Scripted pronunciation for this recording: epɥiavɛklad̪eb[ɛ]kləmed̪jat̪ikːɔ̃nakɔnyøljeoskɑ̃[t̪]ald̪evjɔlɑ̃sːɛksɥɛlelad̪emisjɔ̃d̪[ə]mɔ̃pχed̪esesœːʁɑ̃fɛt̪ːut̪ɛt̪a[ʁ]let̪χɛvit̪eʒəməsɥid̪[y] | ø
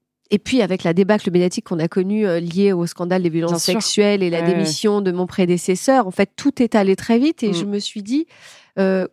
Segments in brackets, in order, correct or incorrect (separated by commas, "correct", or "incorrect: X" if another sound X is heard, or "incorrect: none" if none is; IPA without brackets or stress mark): incorrect: a, incorrect: d̪, correct, incorrect: none, incorrect: i